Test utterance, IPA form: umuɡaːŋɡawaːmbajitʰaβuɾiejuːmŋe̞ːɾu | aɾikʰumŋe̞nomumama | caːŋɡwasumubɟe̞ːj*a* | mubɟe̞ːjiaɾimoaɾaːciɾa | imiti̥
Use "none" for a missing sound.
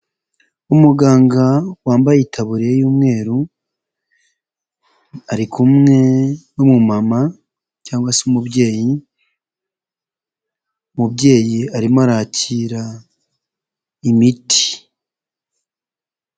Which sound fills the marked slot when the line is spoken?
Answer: i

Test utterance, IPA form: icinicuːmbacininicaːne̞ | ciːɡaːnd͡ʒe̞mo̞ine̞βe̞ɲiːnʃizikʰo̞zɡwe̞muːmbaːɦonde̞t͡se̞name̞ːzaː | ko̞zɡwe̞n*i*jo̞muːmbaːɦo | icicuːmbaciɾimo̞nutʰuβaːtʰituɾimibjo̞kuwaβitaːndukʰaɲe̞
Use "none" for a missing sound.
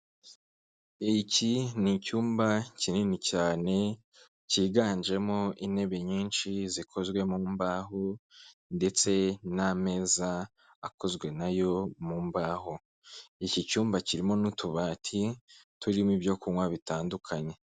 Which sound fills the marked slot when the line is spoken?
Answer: a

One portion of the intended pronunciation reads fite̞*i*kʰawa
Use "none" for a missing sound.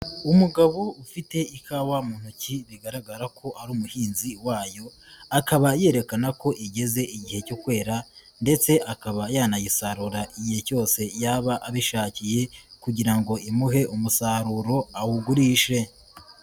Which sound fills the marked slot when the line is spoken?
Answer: i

